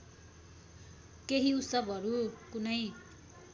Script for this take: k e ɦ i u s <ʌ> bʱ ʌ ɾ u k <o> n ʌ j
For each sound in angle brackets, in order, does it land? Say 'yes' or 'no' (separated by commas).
yes, no